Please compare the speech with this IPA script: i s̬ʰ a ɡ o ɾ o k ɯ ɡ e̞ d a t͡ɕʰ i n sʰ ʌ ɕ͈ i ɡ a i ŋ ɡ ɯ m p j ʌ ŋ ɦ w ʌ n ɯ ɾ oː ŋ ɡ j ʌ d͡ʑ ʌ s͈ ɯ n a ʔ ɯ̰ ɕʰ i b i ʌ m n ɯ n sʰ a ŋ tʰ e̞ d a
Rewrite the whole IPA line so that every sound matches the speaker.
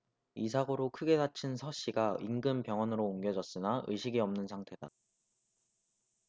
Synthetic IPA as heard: i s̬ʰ a ɡ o ɾ o kʰ ɯ ɡ e̞ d a t͡ɕʰ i n sʰ ʌ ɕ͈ i ɡ a i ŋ ɡ ɯ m p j ʌ ŋ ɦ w ʌ n ɯ ɾ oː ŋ ɡ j ʌ d͡ʑ ʌ s͈ ɯ n a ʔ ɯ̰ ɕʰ i ɡ i ʌ m n ɯ n sʰ a ŋ tʰ e̞ d a